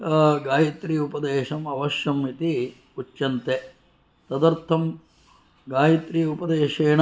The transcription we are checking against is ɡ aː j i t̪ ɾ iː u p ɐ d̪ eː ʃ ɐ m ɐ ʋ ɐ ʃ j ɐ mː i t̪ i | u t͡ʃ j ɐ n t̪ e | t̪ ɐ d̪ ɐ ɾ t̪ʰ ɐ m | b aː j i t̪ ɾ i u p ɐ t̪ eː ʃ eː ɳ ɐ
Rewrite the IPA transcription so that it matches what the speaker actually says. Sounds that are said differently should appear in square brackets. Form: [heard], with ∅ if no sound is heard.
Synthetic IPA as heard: ɡ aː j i t̪ ɾ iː u p ɐ d̪ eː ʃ ɐ m ɐ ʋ ɐ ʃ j ɐ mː i t̪ i | u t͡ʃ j ɐ n t̪ e | t̪ ɐ d̪ ɐ ɾ t̪ʰ ɐ m | [ɡ] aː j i t̪ ɾ i u p ɐ [d̪] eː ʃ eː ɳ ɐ